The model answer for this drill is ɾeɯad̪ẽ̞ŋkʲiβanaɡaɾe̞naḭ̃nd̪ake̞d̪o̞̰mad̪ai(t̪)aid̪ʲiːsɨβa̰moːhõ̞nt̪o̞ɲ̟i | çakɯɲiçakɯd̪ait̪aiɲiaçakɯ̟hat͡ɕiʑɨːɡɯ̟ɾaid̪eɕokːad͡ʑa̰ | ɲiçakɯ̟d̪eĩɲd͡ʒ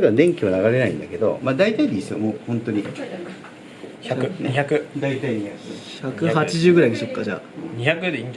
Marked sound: correct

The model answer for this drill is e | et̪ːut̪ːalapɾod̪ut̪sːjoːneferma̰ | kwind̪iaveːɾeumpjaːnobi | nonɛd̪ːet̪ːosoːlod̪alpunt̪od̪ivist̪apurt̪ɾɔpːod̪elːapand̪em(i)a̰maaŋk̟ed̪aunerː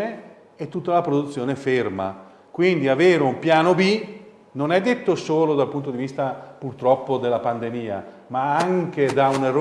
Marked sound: incorrect: iː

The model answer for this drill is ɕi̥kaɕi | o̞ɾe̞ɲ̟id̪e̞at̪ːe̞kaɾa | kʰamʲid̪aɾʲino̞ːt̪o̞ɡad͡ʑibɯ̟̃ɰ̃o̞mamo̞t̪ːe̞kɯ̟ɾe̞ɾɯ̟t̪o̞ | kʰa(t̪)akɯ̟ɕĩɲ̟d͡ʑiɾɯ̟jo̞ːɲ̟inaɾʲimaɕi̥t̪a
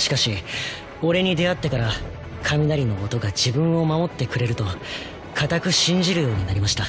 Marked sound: correct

